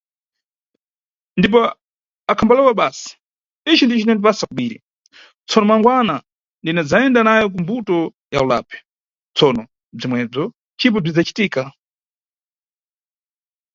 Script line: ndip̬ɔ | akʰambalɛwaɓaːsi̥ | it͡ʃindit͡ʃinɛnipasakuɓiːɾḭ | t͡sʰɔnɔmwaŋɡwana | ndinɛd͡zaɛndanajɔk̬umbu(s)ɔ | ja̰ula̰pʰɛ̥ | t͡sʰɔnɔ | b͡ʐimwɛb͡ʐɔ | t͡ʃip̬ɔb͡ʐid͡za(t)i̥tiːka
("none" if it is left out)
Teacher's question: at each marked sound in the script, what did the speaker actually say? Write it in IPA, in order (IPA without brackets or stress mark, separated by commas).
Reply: t, t͡ʃ